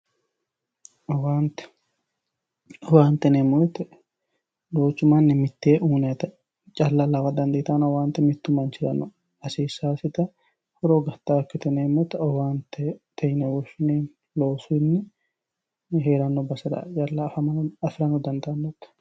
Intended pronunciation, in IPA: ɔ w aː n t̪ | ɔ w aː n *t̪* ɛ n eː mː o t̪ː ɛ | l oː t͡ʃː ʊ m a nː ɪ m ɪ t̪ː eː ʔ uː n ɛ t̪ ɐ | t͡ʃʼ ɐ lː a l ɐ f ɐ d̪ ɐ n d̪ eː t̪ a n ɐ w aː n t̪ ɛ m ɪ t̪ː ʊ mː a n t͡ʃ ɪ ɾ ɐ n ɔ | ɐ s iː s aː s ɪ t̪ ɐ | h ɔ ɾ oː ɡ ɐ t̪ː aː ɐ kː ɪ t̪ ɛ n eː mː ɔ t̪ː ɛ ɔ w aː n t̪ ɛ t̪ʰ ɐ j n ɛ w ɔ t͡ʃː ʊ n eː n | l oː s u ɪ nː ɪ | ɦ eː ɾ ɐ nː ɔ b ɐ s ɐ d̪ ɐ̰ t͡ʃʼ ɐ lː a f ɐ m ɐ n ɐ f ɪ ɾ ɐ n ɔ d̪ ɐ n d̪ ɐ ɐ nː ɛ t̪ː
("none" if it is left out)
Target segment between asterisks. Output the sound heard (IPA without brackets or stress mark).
t̪